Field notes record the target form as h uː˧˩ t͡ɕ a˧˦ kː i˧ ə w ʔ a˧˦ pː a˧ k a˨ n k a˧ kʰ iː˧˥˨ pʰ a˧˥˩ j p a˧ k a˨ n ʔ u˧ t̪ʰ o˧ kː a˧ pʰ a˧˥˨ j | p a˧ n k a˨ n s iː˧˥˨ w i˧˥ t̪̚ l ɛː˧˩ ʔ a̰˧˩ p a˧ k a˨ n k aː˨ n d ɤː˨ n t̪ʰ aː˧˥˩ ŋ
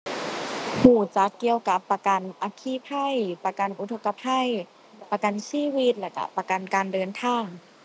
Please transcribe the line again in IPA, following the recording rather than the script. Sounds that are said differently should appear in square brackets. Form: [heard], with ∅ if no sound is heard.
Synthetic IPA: h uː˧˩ t͡ɕ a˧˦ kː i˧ ə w [k] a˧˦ pː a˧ k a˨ n [ʔ] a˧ kʰ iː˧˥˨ pʰ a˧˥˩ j p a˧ k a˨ n ʔ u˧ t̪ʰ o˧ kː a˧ pʰ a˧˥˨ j | p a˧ [∅] k a˨ n s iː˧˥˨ w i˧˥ t̪̚ l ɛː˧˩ [k] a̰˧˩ p a˧ k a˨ n k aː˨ n d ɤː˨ n t̪ʰ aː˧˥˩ ŋ